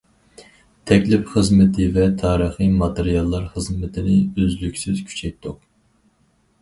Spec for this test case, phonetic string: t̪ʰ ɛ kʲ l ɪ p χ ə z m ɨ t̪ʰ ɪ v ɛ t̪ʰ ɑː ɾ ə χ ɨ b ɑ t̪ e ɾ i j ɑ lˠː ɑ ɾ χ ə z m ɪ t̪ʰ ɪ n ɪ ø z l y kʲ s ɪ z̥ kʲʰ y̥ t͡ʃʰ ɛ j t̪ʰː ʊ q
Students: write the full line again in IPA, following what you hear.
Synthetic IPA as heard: t̪ʰ ɛ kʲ l ɪ p χ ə z m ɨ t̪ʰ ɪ v ɛ t̪ʰ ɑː ɾ ə χ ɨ m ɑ t̪ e ɾ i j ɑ lˠː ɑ ɾ χ ə z m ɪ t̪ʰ ɪ n ɪ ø z l y kʲ s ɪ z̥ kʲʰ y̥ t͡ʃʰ ɛ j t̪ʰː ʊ q

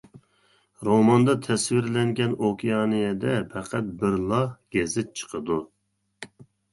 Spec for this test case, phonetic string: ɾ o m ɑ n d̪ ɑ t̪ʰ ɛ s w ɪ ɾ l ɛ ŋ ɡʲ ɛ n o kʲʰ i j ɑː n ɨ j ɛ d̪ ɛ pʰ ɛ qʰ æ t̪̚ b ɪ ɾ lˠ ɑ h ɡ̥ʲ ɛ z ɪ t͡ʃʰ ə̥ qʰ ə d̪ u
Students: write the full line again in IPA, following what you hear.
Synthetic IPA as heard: ɾ o m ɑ n d̪ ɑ t̪ʰ ɛ s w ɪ ɾ l ɛ ŋ ɡʲ ɛ n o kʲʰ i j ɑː n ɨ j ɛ d̪ ɛ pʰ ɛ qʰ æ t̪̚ b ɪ ɾ lˠ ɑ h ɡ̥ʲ ɛ z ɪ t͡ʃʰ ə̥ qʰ ə d̪ u

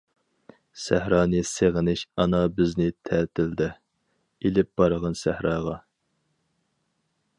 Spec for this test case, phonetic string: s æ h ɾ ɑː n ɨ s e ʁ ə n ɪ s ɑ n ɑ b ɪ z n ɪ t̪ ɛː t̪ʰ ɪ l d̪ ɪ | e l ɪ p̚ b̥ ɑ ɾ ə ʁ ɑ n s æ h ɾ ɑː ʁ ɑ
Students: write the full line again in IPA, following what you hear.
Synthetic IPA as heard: s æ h ɾ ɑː n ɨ s e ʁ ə n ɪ ʃ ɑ n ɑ b ɪ z n ɪ t̪ʰ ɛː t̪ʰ ɪ l d̪ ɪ | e l ɪ p̚ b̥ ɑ ɾ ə ʁ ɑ n s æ h ɾ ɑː ʁ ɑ

